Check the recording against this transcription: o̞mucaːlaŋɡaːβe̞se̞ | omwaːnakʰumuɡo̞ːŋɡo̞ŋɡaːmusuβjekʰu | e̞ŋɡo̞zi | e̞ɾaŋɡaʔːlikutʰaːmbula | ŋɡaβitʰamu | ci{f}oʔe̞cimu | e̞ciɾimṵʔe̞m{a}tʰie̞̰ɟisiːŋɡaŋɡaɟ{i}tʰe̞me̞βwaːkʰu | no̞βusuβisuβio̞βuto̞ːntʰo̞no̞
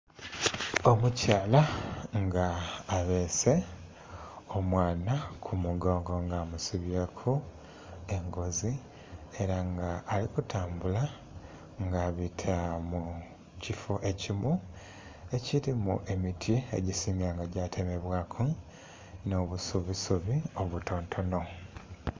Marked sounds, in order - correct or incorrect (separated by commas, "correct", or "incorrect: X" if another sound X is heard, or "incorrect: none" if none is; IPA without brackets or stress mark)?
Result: correct, incorrect: i, incorrect: a